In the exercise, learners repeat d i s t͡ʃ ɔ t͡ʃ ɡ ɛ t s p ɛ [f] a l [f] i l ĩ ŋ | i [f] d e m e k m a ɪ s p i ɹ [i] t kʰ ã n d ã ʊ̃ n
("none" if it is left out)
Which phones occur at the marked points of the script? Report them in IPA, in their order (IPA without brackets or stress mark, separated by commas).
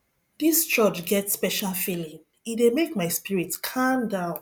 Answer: ʃ, f, none, i